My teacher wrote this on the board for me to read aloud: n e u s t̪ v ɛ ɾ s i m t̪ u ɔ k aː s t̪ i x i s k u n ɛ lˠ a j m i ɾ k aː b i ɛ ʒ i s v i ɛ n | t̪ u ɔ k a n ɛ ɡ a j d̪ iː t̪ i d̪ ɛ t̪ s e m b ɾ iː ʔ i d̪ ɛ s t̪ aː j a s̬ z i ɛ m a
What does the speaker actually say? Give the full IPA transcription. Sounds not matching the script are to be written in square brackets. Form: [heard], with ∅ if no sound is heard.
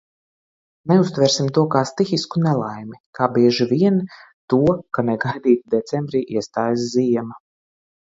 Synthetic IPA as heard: n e u s t̪ v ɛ ɾ s i m t̪ u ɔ k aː s t̪ i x i s k u n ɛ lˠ a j m i [∅] k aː b i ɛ ʒ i [∅] v i ɛ n | t̪ u ɔ k a n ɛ ɡ a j d̪ iː t̪ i d̪ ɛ t̪ s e m b ɾ iː ʔ i [∅] ɛ s t̪ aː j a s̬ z i ɛ m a

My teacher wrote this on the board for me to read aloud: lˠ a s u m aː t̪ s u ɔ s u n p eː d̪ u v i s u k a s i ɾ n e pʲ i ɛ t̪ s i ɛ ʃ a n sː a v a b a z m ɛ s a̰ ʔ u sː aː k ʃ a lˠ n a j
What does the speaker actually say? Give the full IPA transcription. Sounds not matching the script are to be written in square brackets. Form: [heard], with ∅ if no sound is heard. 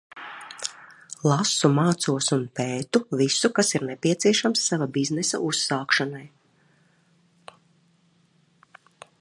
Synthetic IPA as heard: lˠ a s u m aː t̪ s u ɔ s u n p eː [t̪] u v i s u k a s i ɾ n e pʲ i ɛ t̪ s i ɛ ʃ a [m] sː a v a b [i] z [n] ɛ s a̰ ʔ u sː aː k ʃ a [∅] n a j

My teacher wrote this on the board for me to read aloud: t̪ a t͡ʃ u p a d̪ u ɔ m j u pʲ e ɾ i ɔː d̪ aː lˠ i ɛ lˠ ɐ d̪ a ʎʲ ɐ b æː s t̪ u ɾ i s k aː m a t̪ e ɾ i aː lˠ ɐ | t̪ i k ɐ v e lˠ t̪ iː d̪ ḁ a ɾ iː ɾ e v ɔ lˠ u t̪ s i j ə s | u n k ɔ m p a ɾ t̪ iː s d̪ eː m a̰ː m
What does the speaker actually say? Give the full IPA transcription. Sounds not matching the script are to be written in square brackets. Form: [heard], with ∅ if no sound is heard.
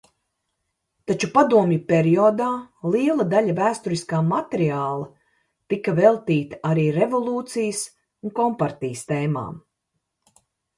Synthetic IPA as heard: t̪ a t͡ʃ u p a d̪ u ɔ m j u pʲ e ɾ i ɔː d̪ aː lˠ i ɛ lˠ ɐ d̪ a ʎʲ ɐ [v] æː s t̪ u ɾ i s k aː m a t̪ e ɾ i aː lˠ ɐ | t̪ i k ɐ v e lˠ t̪ iː [t̪] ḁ a ɾ iː ɾ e v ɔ lˠ [uː] t̪ s i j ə s | u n k ɔ m p a ɾ t̪ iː s [t̪] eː m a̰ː m

